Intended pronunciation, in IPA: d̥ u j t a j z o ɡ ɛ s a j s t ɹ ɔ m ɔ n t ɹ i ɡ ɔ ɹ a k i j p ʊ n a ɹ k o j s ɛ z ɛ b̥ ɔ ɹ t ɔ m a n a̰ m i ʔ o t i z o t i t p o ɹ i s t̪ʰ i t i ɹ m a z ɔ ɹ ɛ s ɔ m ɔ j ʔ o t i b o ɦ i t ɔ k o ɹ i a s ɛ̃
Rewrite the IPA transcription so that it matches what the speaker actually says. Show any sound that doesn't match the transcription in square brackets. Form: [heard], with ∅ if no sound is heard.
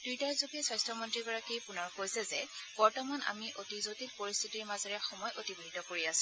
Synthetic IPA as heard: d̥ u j t a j z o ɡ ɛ s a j s t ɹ ɔ m ɔ n t ɹ i ɡ ɔ ɹ a k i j p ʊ n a ɹ k o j s ɛ z ɛ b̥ ɔ ɹ t ɔ m a n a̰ m i ʔ o t i z o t i t p o ɹ i s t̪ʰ i t i ɹ m a z ɔ ɹ ɛ [x] ɔ m ɔ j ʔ o t i b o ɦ i t ɔ k o ɹ i a s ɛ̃